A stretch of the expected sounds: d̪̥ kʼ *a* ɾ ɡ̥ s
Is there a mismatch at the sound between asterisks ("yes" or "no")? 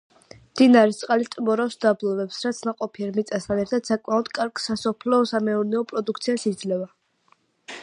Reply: no